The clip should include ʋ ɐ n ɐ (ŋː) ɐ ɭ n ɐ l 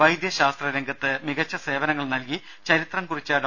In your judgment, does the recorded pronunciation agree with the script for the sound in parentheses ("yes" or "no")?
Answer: yes